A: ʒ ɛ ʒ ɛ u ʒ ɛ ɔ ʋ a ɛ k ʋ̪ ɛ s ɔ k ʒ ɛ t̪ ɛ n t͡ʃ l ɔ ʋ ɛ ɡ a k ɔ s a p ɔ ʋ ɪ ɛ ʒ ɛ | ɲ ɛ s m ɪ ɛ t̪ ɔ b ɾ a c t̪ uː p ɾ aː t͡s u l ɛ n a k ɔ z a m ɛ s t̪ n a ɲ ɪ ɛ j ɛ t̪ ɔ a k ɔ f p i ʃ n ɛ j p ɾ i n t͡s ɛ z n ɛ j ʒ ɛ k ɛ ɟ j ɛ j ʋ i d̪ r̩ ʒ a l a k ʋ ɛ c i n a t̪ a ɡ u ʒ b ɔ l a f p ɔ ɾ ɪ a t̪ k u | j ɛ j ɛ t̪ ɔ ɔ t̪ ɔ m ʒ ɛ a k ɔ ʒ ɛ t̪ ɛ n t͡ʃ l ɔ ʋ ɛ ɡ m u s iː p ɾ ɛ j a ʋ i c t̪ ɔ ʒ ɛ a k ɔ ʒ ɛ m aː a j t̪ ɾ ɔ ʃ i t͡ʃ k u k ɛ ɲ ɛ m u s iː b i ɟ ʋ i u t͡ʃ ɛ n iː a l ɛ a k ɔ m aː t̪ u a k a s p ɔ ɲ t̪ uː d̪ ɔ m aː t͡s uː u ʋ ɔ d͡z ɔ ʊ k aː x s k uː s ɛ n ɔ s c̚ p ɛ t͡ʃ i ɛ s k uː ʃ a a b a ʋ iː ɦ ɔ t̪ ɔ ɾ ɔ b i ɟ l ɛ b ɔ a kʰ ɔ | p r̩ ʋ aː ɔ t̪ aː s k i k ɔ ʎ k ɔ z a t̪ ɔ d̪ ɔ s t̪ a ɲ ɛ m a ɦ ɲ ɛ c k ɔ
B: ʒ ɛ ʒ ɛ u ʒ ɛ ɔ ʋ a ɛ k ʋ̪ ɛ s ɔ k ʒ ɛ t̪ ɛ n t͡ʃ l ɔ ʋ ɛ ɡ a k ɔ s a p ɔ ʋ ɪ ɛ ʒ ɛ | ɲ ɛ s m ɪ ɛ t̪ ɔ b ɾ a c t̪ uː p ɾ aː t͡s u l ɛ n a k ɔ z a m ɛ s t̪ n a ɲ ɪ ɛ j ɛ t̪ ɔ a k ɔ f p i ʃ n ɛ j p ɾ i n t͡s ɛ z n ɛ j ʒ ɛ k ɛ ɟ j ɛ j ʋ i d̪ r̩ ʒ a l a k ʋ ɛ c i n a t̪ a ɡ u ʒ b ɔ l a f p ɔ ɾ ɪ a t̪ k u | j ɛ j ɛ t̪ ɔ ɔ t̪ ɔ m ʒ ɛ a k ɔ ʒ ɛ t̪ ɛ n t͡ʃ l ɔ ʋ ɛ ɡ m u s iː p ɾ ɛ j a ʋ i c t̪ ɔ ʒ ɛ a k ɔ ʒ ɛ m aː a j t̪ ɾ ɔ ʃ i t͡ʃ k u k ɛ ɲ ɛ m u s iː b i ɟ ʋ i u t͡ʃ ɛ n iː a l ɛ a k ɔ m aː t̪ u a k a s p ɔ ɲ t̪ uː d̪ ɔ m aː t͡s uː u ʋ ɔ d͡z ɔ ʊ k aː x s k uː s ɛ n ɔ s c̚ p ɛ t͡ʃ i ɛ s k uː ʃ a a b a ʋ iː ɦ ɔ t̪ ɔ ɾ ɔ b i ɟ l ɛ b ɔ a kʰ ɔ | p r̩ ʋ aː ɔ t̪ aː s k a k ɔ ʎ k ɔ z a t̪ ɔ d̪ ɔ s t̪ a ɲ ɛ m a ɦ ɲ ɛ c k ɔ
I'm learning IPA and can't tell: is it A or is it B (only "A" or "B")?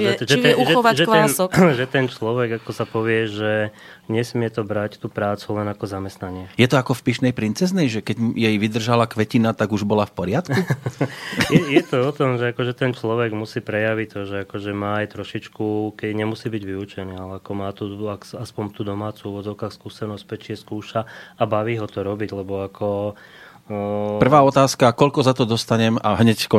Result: B